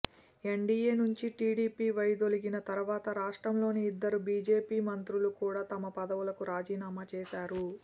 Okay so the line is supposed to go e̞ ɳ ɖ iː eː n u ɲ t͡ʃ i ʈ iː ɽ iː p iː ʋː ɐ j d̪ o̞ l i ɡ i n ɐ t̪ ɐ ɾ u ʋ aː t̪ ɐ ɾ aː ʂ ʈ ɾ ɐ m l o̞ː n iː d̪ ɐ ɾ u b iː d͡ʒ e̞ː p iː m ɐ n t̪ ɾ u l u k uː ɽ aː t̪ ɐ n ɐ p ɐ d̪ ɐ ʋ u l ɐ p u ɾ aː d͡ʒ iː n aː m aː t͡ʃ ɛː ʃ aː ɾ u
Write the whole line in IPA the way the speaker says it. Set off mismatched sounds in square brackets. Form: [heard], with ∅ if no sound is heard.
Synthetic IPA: e̞ ɳ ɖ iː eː n u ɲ t͡ʃ i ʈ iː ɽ iː p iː [ʋ] ɐ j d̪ o̞ l i ɡ i n ɐ t̪ ɐ ɾ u ʋ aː t̪ ɐ ɾ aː ʂ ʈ ɾ ɐ m l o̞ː n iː [d̪ː] ɐ ɾ u b iː d͡ʒ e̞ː p iː m ɐ n t̪ ɾ u l u k uː ɽ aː t̪ ɐ [m] ɐ p ɐ d̪ ɐ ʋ u l ɐ [k] u ɾ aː d͡ʒ iː n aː m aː t͡ʃ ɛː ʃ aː ɾ u